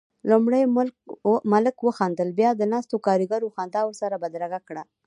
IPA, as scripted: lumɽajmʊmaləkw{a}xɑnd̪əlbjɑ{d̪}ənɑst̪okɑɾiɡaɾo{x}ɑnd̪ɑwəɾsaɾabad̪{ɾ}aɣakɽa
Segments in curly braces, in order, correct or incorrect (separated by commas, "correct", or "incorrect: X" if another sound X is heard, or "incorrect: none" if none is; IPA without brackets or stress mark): incorrect: ə, correct, correct, correct